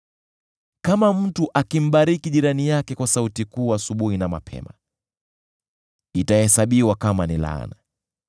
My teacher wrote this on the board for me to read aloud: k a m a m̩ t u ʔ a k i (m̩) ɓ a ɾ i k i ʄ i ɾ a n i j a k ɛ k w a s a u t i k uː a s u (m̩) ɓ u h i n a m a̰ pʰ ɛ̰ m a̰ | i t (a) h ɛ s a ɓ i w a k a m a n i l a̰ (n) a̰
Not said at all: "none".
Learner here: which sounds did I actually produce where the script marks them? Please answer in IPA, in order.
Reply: m̩, none, a, n

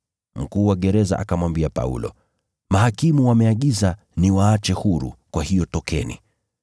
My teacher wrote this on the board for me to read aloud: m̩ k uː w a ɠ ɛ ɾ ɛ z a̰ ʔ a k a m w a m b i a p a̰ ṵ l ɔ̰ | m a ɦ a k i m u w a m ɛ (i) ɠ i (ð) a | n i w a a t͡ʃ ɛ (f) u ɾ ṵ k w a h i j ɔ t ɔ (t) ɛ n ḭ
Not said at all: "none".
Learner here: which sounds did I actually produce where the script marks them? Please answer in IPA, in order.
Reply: a, z, h, k

